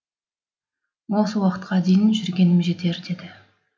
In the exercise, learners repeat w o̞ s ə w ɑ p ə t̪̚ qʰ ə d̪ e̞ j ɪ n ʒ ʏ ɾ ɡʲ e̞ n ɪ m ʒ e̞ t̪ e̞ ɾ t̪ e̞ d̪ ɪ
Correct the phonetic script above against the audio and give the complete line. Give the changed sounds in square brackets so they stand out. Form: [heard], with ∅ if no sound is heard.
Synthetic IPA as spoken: w o̞ s ə w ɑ [q] ə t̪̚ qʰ [ɑ] d̪ e̞ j ɪ n ʒ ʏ ɾ ɡʲ e̞ n ɪ m ʒ e̞ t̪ e̞ ɾ [d̪] e̞ d̪ ɪ